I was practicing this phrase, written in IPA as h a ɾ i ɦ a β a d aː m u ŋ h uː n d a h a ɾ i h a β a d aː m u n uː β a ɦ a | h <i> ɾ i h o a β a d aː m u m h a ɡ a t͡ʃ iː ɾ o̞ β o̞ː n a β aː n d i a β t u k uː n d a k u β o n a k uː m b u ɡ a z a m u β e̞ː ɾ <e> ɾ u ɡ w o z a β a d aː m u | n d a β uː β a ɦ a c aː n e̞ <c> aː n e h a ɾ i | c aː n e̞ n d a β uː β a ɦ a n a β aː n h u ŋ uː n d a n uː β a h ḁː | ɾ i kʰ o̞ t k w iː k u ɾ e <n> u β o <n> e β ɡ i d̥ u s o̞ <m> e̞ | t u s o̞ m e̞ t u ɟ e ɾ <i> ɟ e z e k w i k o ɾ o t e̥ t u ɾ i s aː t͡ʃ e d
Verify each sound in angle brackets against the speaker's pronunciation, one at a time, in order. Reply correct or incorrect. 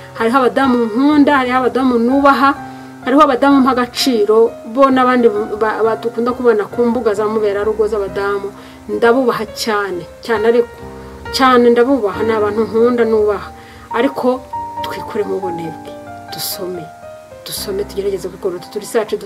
incorrect, incorrect, correct, incorrect, correct, correct, incorrect

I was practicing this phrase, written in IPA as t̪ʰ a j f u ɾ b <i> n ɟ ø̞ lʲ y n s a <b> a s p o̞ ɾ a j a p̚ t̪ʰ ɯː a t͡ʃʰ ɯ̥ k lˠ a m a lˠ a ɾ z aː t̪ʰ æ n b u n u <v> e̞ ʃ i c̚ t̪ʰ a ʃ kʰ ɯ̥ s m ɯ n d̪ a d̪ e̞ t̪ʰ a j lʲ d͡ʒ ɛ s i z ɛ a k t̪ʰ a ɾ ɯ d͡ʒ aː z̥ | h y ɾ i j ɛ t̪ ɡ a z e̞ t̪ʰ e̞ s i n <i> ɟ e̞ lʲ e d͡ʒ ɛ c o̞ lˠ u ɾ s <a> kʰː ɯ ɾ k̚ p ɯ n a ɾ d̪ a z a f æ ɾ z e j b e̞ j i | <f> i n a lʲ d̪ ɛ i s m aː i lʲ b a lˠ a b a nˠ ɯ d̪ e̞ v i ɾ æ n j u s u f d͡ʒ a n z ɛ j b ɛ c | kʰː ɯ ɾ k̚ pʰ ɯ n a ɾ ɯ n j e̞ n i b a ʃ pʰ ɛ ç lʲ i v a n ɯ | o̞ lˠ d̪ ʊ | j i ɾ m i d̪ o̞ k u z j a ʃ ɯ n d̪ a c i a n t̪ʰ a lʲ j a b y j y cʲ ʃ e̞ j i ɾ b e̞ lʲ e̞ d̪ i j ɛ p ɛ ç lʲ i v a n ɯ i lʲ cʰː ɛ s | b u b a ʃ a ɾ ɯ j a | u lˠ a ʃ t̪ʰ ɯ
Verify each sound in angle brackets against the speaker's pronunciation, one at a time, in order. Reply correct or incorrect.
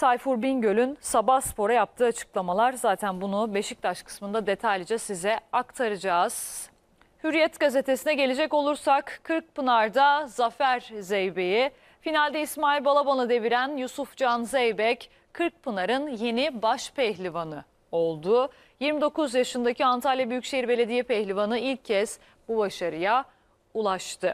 correct, correct, incorrect, incorrect, correct, correct

